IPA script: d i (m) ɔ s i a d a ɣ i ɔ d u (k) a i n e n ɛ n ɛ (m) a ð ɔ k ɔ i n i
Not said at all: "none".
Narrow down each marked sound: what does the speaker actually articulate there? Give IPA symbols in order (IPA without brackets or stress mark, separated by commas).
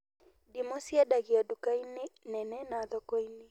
m, k, n